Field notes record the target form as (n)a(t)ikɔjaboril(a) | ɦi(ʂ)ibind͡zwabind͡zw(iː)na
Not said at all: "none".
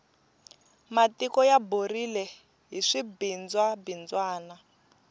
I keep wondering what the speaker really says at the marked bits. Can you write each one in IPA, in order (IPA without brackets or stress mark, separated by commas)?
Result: m, t, ɛ, ʂ, aː